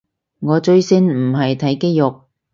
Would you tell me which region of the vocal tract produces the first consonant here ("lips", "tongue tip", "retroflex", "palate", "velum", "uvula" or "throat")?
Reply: velum